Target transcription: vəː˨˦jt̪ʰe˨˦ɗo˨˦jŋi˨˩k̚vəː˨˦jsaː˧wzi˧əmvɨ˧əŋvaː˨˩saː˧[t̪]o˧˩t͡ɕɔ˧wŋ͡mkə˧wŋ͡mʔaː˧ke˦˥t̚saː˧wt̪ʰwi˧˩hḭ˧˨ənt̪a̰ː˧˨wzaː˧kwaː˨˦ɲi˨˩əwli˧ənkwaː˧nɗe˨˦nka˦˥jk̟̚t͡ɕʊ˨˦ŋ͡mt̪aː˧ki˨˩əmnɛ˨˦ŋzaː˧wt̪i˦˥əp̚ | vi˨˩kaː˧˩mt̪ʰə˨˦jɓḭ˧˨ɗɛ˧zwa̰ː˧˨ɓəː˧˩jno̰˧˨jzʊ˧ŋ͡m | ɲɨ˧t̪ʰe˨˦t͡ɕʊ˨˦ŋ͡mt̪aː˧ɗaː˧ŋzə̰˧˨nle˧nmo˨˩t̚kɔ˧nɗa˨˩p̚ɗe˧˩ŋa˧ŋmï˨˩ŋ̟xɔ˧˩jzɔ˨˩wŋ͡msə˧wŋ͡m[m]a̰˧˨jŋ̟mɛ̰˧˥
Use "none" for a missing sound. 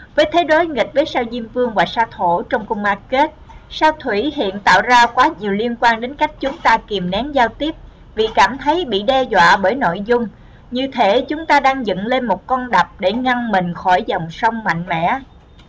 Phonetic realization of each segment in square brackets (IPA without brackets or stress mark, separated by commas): t̪ʰ, m